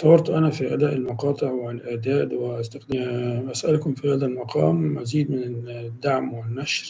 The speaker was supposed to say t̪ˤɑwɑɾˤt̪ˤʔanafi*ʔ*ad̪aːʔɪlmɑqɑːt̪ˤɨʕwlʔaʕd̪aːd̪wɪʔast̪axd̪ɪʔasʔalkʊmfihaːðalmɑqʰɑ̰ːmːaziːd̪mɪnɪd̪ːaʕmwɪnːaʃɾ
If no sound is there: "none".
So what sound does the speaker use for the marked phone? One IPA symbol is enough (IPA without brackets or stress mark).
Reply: ʔ